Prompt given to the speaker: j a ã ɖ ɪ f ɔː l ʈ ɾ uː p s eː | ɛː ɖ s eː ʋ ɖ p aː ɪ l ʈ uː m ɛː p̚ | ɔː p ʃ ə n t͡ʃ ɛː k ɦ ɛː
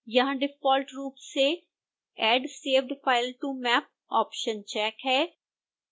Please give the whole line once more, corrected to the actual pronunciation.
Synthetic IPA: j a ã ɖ ɪ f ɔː l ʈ ɾ uː p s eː | ɛː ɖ s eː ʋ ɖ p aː ɪ l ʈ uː m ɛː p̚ | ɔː p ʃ ə n t͡ʃ ɛː k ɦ ɛː